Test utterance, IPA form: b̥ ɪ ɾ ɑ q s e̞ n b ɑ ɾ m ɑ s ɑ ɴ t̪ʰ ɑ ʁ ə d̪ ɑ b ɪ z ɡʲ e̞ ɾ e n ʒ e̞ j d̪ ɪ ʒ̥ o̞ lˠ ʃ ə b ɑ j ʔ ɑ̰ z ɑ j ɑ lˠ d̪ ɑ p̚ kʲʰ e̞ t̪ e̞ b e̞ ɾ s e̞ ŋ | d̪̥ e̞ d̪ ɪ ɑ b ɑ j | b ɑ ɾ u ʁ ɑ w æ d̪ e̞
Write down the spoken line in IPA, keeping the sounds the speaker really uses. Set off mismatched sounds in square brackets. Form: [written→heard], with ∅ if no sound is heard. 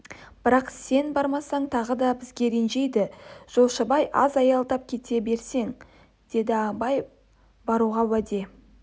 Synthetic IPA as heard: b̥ ɪ ɾ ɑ q s e̞ n b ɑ ɾ m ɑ s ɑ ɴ t̪ʰ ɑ ʁ ə d̪ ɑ b ɪ z ɡʲ e̞ ɾ e n ʒ e̞ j d̪ ɪ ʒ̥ o̞ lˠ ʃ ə b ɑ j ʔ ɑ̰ z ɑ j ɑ lˠ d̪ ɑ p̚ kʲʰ e̞ t̪ e̞ b e̞ ɾ s e̞ ŋ | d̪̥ e̞ d̪ ɪ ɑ b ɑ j | b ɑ ɾ u ʁ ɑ w æ d̪ e̞